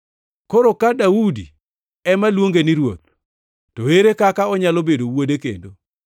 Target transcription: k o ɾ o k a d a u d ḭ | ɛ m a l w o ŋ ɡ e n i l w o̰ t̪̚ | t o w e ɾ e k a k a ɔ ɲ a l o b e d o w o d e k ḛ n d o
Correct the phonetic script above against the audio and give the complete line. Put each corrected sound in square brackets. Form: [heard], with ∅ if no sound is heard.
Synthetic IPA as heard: k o ɾ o k a d a u d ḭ | ɛ m a l w o ŋ ɡ e n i [ɾ] w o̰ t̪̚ | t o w e ɾ e k a k a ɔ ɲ a l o b e d o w o d e k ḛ n d o